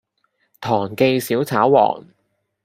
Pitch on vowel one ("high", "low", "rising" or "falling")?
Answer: low